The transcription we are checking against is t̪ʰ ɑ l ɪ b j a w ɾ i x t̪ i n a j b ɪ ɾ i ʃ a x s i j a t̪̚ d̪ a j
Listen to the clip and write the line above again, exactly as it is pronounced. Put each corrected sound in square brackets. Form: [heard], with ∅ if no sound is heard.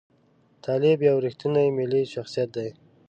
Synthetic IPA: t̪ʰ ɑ l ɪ b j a w ɾ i x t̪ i n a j [m] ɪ [l] i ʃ a x s i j a t̪̚ d̪ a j